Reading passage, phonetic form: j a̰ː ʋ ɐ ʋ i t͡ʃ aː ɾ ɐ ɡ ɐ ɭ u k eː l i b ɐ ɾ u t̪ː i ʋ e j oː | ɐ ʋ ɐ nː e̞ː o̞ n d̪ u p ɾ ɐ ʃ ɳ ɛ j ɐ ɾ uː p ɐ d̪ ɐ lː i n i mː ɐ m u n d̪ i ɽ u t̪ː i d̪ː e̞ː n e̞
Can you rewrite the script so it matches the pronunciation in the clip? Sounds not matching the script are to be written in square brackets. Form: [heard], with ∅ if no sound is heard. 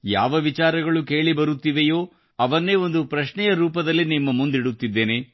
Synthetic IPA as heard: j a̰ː ʋ ɐ ʋ i t͡ʃ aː ɾ ɐ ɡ ɐ ɭ u k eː [ɭ] i b ɐ ɾ u t̪ː i ʋ e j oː | ɐ ʋ ɐ nː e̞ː o̞ n d̪ u p ɾ ɐ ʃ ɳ ɛ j ɐ ɾ uː p ɐ d̪ ɐ lː i n i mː ɐ m u n d̪ i ɽ u t̪ː i d̪ː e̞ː n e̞